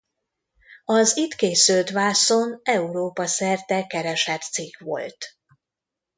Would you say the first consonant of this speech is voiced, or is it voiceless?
voiced